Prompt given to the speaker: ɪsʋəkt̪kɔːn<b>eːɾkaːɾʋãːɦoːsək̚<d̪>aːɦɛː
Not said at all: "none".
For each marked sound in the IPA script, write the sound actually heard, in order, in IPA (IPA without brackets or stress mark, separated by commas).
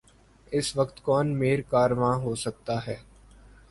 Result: m, t̪